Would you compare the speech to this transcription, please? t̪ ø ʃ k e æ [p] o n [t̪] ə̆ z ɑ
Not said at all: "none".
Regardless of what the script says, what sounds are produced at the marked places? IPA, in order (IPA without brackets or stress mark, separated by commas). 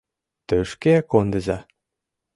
k, d̪